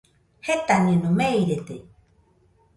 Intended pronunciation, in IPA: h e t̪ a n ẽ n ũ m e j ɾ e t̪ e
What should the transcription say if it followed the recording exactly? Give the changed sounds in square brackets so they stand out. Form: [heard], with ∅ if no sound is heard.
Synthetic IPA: h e t̪ a n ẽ n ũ m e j ɾ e t̪ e